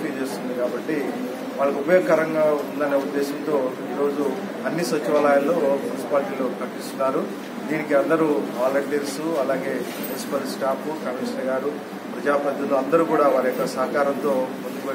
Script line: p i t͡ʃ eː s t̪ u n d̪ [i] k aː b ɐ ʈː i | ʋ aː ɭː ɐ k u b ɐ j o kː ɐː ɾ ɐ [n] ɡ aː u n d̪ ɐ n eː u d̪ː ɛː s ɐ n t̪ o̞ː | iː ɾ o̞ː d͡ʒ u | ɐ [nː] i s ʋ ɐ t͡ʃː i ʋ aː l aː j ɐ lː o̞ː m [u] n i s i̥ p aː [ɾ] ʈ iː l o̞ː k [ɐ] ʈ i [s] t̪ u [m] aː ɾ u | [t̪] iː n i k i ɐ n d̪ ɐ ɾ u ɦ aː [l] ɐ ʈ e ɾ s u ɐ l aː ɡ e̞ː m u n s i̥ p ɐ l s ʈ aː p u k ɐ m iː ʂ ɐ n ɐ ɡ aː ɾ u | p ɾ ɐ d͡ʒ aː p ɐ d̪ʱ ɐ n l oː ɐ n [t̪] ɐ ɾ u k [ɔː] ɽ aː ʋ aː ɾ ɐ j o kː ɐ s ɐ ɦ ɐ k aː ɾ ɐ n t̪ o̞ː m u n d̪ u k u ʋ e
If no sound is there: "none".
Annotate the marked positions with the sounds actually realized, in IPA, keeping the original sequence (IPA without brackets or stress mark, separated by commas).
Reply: i, ŋ, nː, u, l, ɐ, s, n, d̪, l, d̪, uː